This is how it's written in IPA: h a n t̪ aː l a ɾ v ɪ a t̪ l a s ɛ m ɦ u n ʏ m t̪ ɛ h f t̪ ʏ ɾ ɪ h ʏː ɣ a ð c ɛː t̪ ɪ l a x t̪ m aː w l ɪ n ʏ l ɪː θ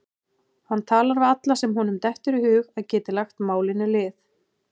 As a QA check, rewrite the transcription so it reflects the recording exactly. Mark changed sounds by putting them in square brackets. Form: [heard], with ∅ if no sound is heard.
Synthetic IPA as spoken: h a n [t̪ʰ] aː l a ɾ v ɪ a t̪ l a s ɛ m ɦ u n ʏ m t̪ ɛ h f t̪ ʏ ɾ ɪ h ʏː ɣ a ð c ɛː t̪ ɪ l a x t̪ m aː w l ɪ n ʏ l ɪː θ